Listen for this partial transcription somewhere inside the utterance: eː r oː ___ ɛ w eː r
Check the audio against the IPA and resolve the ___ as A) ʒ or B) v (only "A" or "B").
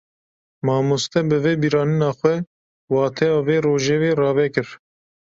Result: A